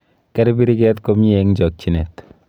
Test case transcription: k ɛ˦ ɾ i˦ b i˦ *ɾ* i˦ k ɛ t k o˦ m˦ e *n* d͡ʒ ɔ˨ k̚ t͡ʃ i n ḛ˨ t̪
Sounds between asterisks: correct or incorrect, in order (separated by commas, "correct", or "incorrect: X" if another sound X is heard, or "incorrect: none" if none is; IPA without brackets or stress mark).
correct, incorrect: ŋ